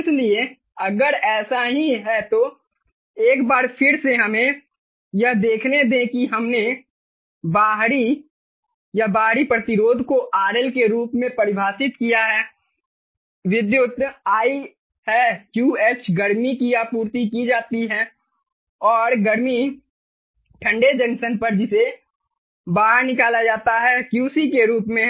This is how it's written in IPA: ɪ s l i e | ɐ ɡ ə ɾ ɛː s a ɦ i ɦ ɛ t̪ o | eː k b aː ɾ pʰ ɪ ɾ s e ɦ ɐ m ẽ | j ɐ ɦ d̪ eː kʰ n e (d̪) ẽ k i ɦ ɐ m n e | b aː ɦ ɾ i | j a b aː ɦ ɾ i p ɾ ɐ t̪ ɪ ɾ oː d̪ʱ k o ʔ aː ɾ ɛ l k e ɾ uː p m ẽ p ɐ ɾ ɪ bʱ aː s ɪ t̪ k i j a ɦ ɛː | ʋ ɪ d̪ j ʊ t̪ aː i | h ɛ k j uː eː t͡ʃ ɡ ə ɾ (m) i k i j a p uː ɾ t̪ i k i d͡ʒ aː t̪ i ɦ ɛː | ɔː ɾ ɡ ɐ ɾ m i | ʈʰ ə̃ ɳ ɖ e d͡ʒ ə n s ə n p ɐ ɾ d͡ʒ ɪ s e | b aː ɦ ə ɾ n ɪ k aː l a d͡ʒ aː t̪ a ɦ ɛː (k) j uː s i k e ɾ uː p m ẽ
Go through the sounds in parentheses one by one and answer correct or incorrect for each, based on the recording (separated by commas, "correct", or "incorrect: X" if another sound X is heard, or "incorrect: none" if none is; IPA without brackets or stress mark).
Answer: correct, correct, correct